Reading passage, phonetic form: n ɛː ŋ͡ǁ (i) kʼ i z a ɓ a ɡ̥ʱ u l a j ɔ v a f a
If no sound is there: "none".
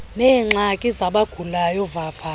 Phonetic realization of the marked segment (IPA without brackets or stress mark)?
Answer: a